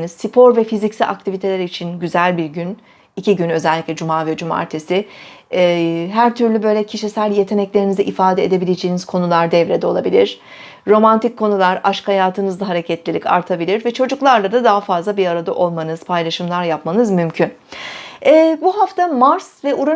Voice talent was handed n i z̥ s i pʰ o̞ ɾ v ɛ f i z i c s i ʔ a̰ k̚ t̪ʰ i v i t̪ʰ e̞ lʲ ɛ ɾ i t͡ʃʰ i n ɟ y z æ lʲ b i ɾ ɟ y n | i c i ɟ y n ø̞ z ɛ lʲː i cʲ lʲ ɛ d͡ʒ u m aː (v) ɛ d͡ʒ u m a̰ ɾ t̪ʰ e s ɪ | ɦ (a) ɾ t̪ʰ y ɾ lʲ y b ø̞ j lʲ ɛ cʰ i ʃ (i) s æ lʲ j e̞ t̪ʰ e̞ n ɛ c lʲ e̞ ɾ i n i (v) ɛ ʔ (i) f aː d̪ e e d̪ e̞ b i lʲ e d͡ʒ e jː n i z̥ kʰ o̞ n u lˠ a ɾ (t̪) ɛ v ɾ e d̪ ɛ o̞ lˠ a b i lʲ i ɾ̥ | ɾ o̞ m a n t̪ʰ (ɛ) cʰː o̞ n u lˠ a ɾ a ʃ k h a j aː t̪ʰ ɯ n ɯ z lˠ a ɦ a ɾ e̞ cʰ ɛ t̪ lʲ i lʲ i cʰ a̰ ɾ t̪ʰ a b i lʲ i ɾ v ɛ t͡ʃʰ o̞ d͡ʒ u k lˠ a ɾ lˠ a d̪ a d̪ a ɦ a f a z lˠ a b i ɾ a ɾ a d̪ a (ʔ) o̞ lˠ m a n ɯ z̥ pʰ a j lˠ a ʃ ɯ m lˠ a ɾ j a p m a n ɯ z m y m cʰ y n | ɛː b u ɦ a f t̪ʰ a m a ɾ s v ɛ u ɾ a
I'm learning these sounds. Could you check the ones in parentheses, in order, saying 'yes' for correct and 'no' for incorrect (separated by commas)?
yes, no, yes, no, yes, no, no, yes